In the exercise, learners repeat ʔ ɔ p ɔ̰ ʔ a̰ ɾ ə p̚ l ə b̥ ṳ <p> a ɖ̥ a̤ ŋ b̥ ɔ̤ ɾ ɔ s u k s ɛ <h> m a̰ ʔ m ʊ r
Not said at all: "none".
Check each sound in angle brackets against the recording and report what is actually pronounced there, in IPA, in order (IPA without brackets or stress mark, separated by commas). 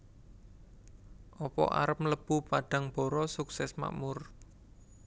p, s